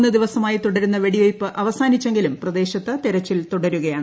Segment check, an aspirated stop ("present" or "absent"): absent